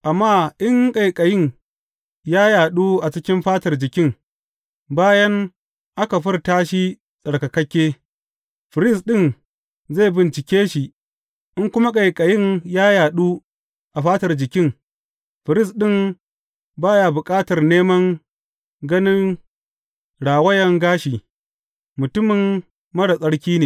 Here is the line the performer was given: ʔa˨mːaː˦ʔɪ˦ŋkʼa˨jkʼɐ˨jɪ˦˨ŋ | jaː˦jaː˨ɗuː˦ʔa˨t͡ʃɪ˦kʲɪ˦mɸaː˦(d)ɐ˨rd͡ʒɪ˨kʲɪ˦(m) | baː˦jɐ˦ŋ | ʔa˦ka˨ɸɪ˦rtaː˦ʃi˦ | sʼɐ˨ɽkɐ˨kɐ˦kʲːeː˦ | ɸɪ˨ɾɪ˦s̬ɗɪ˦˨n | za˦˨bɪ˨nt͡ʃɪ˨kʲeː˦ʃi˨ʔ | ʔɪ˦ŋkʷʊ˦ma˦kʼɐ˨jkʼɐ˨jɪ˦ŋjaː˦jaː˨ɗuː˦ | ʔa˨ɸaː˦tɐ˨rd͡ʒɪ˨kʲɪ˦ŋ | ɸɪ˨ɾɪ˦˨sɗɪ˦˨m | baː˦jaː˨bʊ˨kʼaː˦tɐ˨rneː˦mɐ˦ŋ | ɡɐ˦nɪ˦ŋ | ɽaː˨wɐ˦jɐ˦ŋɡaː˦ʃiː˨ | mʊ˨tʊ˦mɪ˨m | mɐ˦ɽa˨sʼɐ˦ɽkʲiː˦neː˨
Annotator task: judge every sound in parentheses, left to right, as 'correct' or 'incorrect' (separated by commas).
incorrect, incorrect